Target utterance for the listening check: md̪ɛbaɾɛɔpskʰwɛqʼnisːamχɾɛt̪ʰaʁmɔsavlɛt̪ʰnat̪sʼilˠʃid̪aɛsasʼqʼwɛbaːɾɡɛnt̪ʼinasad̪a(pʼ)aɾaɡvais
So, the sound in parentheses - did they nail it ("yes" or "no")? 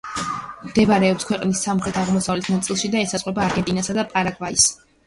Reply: yes